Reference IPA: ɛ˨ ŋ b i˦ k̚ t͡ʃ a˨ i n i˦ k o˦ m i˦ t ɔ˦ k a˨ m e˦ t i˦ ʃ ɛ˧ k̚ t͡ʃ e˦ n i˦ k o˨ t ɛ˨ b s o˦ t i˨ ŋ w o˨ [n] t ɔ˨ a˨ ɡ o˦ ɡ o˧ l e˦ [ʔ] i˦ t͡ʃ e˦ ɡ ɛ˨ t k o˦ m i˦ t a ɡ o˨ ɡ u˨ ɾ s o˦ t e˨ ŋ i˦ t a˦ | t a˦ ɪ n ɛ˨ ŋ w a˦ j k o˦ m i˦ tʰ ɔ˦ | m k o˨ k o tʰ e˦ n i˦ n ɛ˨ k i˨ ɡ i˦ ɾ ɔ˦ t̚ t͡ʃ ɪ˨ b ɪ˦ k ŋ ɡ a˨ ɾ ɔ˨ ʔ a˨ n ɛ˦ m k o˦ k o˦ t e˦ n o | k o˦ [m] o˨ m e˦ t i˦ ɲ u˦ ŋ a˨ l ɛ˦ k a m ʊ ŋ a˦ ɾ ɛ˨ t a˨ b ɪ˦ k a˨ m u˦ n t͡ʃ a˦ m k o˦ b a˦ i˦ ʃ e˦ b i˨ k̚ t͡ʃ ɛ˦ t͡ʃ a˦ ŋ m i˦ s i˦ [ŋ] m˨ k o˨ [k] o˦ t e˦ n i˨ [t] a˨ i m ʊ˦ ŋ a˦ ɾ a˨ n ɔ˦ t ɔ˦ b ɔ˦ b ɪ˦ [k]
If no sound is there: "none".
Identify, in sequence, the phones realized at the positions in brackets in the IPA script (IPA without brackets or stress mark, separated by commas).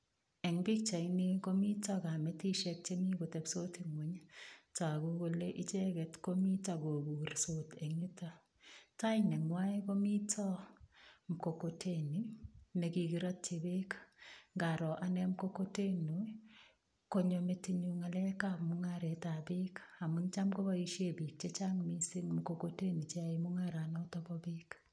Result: ɲ, ʔ, ɲ, ŋ, k, t͡ʃ, k